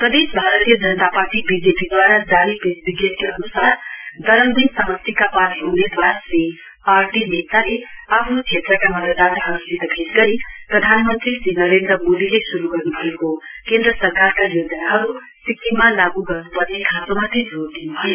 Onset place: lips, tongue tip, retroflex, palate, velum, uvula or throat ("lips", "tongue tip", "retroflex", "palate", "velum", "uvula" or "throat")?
lips